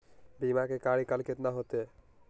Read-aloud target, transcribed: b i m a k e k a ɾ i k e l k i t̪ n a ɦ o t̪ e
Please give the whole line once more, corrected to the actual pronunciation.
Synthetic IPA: b i m a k e k a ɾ i k a l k e t̪ n a ɦ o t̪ e